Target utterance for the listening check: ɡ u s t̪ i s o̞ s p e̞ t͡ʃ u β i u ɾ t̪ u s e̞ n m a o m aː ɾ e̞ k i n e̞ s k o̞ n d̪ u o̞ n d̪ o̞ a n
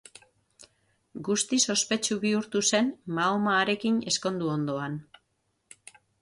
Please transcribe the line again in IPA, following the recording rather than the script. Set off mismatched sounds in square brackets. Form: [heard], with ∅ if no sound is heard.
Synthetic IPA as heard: ɡ u s t̪ i s o̞ s p e̞ t͡ʃ u β i u ɾ t̪ u s e̞ n m a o m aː ɾ e̞ k i n e̞ s k o̞ n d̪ u o̞ n d̪ o̞ a n